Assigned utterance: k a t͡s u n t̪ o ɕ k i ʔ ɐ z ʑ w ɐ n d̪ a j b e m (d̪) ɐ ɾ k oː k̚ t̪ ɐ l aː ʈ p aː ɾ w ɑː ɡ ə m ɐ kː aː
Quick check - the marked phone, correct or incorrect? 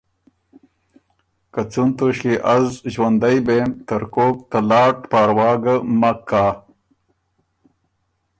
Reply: incorrect